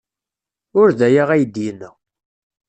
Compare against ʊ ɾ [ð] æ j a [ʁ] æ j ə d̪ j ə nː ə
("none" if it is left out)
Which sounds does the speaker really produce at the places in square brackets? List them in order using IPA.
ð, ʁ

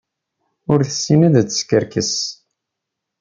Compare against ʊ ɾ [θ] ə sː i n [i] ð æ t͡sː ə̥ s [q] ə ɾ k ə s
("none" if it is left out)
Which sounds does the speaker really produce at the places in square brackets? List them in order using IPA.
θ, æ, k

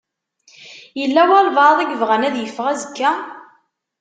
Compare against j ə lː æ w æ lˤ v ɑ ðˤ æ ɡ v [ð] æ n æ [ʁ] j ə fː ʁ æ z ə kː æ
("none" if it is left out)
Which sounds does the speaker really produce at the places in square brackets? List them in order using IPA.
ʁ, ð

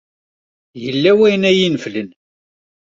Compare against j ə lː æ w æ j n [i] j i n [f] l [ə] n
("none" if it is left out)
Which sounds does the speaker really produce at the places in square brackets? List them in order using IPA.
æ, f, ə

